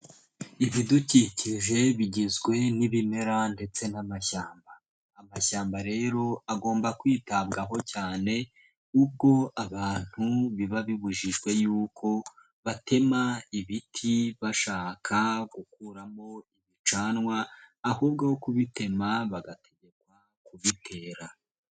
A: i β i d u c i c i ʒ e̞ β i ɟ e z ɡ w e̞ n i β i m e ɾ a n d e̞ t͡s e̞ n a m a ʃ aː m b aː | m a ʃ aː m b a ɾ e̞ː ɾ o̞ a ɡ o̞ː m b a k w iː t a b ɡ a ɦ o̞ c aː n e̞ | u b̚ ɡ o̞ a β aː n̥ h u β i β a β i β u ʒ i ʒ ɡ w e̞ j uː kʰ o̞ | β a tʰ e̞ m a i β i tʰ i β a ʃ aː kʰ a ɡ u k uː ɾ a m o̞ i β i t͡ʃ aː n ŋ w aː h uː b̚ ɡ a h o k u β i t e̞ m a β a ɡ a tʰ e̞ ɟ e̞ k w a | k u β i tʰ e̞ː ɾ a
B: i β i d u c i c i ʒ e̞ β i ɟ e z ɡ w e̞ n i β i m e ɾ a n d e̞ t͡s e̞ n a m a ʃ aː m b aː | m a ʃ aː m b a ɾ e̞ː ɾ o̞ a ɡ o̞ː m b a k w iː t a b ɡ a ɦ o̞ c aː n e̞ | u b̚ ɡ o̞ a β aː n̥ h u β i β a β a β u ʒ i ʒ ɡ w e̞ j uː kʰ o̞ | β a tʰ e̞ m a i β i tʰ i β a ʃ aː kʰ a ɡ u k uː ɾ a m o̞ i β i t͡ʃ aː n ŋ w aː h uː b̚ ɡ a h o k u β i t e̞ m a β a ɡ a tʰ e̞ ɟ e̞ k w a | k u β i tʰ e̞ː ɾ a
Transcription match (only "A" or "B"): A